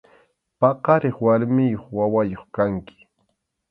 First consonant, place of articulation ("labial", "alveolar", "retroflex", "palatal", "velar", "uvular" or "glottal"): labial